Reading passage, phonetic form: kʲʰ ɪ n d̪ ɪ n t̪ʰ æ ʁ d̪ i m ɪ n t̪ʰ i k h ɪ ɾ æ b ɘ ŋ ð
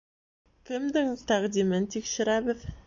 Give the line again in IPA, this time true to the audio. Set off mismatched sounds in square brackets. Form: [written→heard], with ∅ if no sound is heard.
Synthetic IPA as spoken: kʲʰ ɪ [n→m] d̪ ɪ [n→ŋ] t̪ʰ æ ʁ d̪ i m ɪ n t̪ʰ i k [h→ʃ] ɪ ɾ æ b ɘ [ŋ→∅] ð

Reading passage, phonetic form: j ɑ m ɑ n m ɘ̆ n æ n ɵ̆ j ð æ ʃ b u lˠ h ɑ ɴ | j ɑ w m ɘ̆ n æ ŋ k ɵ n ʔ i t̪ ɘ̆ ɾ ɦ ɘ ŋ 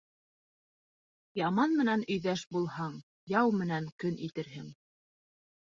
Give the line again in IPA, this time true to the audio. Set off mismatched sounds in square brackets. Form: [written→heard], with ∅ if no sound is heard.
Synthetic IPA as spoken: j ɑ m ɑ n m ɘ̆ n æ n ɵ̆ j ð æ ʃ b u lˠ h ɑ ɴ | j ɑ w m ɘ̆ n æ ŋ k ɵ n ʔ i t̪ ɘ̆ ɾ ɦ ɘ ŋ

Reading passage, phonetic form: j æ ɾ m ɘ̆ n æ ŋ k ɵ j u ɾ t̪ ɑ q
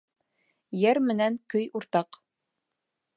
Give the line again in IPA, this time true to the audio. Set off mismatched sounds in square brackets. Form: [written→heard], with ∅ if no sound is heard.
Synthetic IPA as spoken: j æ ɾ m ɘ̆ n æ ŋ k ɵ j u ɾ t̪ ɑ q

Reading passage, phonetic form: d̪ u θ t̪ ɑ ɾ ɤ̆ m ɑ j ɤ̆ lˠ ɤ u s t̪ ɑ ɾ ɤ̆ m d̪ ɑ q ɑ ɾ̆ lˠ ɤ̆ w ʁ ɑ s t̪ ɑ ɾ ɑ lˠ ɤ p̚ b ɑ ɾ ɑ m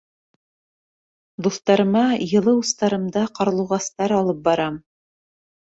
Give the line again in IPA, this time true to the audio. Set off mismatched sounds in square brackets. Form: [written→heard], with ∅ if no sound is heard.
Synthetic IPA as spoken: d̪ u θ t̪ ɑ ɾ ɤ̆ m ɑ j ɤ̆ lˠ ɤ u s t̪ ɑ ɾ ɤ̆ m d̪ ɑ q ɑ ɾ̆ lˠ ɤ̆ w ʁ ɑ s t̪ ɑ ɾ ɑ lˠ ɤ p̚ b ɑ ɾ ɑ m

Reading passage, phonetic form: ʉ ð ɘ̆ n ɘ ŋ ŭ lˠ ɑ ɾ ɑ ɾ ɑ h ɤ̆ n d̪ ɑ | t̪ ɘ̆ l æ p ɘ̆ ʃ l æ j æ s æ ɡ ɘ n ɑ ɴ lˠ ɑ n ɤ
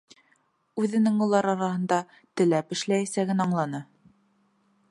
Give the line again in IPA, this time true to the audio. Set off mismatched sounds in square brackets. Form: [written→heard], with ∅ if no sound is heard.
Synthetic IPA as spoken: ʉ ð ɘ̆ n ɘ ŋ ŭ lˠ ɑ ɾ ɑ ɾ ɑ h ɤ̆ n d̪ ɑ | t̪ ɘ̆ l æ p ɘ̆ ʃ l æ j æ s æ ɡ ɘ n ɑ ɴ lˠ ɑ n ɤ

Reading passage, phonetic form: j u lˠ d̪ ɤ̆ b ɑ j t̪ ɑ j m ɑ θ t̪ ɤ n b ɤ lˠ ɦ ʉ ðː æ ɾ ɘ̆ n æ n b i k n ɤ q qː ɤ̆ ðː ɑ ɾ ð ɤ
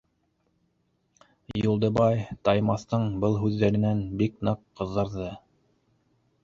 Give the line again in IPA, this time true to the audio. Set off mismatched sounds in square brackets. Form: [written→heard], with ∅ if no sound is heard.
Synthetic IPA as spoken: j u lˠ d̪ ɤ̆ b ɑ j t̪ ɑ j m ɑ θ t̪ ɤ [n→ɴ] b ɤ lˠ ɦ ʉ ðː æ ɾ ɘ̆ n æ n b i k n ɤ q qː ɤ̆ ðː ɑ ɾ ð ɤ

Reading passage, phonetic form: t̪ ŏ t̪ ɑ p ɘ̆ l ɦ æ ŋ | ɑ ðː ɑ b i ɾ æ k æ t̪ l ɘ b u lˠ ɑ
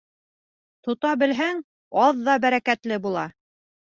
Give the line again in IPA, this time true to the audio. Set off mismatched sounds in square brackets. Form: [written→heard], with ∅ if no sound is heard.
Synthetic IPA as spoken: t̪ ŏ t̪ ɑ [p→b] ɘ̆ l ɦ æ ŋ | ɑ ðː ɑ b [i→æ] ɾ æ k æ t̪ l ɘ b u lˠ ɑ

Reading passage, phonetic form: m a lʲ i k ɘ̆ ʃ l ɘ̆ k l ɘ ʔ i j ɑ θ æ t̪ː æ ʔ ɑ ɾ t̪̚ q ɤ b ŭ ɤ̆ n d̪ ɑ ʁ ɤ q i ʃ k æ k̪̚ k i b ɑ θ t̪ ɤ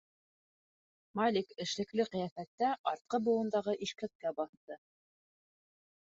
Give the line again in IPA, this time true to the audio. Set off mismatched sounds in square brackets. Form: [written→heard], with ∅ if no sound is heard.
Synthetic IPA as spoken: m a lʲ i k ɘ̆ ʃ l ɘ̆ k l ɘ [ʔ→q] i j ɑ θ æ t̪ː æ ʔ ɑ ɾ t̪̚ q ɤ b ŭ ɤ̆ n d̪ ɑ ʁ ɤ [q→ʔ] i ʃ k æ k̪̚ k [i→æ] b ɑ θ t̪ ɤ

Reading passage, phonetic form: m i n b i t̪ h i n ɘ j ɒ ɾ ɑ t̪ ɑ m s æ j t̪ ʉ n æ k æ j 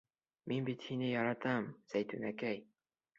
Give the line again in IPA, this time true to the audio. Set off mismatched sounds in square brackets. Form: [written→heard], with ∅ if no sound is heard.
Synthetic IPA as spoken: m i n b i t̪ h i n ɘ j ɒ ɾ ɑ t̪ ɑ m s æ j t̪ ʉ n æ k æ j

